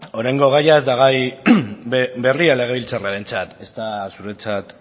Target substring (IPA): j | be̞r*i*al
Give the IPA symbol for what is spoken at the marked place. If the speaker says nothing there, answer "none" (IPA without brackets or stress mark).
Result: i